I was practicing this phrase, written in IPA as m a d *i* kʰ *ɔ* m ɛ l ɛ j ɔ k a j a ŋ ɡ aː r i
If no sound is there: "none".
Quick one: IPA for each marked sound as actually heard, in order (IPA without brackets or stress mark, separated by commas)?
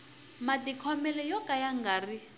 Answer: i, ɔ